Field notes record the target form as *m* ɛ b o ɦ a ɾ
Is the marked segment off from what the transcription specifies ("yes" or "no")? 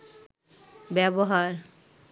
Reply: yes